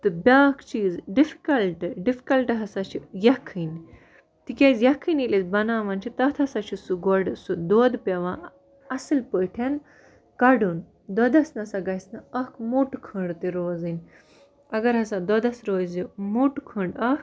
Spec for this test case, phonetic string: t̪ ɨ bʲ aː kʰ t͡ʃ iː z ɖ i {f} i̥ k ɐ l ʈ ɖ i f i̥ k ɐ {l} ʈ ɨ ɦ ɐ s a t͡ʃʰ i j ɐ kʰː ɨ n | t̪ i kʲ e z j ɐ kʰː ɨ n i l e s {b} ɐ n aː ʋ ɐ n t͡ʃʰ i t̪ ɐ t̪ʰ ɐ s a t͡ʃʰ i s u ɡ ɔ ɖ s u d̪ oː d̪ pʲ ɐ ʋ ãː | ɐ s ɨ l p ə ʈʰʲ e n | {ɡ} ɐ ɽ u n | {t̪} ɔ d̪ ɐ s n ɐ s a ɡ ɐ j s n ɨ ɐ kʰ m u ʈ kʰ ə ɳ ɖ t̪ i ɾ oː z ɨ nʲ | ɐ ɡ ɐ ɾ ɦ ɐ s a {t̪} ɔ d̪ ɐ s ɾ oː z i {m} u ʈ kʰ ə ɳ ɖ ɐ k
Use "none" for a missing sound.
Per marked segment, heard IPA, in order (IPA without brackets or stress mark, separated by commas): f, l, b, k, d̪, d̪, m